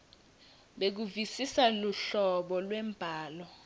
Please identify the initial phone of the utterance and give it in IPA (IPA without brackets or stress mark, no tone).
ɓ